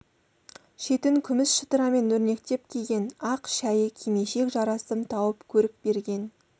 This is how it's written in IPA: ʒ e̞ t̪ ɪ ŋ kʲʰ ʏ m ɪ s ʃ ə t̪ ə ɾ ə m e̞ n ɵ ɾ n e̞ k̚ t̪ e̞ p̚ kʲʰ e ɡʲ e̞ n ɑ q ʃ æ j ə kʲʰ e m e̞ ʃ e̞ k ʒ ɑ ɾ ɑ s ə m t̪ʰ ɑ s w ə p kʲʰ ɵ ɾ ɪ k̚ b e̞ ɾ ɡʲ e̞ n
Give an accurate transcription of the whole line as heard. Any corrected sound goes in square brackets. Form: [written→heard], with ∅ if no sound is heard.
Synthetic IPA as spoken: [ʒ→ʃ] e̞ t̪ ɪ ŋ kʲʰ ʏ m ɪ s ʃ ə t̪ ə ɾ [ə→ɑ] m e̞ n ɵ ɾ n e̞ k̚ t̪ e̞ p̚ kʲʰ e ɡʲ e̞ n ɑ q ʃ æ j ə kʲʰ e m e̞ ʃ e̞ k ʒ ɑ ɾ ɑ s ə m t̪ʰ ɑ [s→∅] w ə p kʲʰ ɵ ɾ ɪ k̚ b e̞ ɾ ɡʲ e̞ n